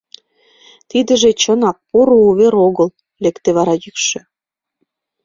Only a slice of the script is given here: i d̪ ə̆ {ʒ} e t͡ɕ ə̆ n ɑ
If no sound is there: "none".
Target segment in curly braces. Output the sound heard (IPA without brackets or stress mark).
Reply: ʒ